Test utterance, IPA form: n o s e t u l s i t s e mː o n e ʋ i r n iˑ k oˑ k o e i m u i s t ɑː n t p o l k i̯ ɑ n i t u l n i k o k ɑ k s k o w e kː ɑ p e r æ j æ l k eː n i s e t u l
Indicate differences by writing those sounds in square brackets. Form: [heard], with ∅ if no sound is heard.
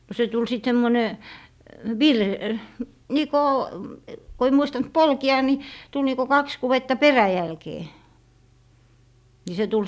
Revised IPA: n o s e t u l s i t s e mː o n e ʋ i r n iˑ k oˑ k o e i m u i s t [ɑ] n t p o l k i̯ ɑ n i t u l n i k o k ɑ k s k [u] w e [tː] ɑ p e r æ j æ l k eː n i s e t u l